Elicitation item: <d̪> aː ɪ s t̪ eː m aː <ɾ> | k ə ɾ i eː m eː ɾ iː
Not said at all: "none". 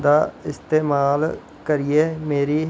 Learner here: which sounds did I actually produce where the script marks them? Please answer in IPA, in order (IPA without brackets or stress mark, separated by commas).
d̪, l